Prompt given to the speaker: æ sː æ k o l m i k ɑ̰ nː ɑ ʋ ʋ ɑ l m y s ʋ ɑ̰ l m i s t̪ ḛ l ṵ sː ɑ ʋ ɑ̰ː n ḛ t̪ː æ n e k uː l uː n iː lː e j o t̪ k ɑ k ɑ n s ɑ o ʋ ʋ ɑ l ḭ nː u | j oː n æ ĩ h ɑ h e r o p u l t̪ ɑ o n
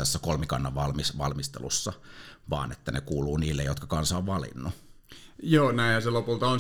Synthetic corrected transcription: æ sː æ k o l m i k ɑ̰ nː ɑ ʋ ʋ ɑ l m i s ʋ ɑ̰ l m i s t̪ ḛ l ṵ sː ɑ ʋ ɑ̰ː n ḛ t̪ː æ n e k uː l uː n iː lː e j o t̪ k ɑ k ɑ n s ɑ o ʋ ʋ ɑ l ḭ nː u | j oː n æ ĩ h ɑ s e l o p u l t̪ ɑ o n